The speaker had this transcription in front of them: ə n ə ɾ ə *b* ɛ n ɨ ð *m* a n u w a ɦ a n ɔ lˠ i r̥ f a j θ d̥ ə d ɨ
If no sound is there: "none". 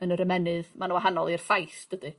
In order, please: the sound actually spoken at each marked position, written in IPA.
m, m

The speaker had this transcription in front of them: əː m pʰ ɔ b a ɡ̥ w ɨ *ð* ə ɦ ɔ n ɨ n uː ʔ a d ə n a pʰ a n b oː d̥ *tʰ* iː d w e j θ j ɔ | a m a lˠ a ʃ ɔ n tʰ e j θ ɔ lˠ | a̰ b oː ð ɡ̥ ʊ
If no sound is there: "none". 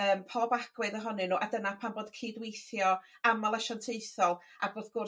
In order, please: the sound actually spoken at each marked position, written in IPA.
ð, kʰ

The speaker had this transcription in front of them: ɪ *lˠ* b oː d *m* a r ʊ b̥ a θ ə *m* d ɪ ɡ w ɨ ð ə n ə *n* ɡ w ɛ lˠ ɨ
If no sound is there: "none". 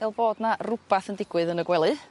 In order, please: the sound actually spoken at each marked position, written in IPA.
lˠ, n, n, none

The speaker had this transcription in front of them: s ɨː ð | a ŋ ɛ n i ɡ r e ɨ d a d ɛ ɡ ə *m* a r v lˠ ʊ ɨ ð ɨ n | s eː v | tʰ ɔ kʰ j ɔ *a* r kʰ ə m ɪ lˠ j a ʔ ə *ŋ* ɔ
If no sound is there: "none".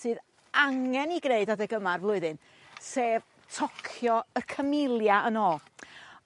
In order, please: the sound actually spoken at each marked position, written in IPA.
m, ə, n

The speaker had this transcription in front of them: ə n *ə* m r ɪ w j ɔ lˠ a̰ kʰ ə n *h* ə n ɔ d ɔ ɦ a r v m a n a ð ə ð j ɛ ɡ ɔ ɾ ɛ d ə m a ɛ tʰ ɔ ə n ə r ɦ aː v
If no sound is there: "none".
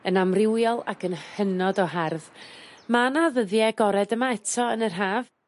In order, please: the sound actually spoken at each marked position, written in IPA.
a, h

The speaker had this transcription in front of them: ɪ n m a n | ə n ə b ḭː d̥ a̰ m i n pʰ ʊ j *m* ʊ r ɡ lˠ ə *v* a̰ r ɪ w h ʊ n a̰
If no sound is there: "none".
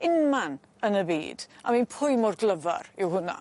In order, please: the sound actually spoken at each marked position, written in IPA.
m, v

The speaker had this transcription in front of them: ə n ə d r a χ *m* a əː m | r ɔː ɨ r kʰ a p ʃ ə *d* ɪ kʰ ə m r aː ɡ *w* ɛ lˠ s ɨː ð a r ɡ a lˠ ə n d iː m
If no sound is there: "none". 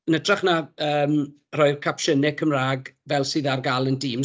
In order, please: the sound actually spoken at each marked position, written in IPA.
n, n, v

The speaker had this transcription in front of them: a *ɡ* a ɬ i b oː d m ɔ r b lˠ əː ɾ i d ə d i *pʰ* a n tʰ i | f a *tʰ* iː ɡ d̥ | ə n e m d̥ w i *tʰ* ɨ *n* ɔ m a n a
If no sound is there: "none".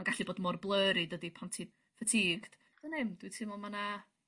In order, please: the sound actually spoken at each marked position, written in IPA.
ɡ, pʰ, tʰ, tʰ, m

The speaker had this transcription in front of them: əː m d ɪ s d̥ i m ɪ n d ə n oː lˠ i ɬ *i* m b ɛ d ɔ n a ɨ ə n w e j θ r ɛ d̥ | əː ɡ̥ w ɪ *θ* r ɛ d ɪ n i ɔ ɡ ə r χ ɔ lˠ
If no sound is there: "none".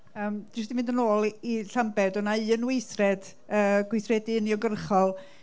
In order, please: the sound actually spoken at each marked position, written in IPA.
a, θ

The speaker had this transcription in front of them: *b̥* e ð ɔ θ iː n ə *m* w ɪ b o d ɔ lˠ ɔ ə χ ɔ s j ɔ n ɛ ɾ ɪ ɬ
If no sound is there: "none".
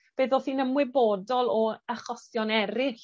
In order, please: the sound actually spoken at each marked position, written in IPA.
b̥, m

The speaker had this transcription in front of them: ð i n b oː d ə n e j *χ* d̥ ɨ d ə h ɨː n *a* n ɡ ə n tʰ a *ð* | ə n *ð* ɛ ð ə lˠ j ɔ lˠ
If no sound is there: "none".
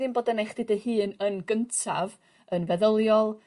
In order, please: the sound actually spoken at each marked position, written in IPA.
χ, ə, v, v

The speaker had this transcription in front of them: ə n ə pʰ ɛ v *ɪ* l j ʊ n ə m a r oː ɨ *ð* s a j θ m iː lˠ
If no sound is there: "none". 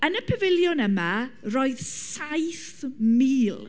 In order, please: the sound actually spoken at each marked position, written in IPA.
ɪ, ð

